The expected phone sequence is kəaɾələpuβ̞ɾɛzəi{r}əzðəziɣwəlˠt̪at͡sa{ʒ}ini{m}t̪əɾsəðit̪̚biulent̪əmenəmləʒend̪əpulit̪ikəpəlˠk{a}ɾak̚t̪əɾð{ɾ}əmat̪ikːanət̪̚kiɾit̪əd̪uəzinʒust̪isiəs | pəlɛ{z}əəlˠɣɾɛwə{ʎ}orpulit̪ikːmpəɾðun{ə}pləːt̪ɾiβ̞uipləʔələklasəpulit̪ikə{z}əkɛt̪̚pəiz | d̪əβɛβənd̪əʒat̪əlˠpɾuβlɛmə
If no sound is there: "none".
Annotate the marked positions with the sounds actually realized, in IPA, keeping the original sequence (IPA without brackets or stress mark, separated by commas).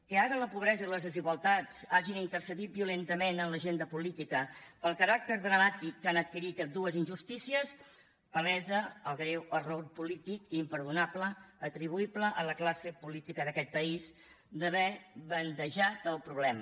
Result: l, ʒ, n, ə, ɾ, z, r, a, ð